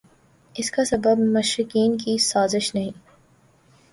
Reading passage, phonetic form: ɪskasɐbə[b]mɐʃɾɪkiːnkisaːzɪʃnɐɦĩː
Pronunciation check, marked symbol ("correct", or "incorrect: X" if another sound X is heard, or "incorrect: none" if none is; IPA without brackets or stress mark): correct